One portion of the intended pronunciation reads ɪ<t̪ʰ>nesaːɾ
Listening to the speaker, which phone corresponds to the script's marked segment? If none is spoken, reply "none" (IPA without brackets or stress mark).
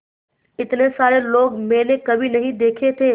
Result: t̪